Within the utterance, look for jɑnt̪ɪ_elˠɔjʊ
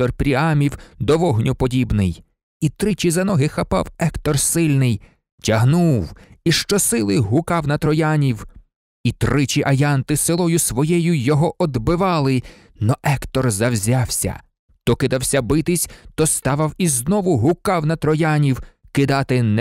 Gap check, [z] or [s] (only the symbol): s